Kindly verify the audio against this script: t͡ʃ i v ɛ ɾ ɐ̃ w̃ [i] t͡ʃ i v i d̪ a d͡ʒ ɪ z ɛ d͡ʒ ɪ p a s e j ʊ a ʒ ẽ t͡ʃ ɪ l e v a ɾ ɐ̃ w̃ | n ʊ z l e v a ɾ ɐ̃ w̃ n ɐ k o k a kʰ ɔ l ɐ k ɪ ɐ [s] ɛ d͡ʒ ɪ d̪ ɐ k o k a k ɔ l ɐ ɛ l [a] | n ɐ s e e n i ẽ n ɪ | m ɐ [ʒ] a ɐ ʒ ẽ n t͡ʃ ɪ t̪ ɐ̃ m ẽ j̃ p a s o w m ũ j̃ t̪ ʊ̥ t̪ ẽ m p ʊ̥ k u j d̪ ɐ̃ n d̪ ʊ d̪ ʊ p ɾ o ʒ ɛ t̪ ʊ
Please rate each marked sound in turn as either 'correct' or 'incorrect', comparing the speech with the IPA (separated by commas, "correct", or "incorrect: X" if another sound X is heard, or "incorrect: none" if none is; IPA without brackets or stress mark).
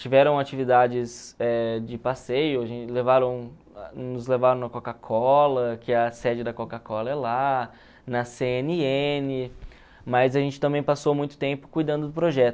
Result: incorrect: a, correct, correct, incorrect: z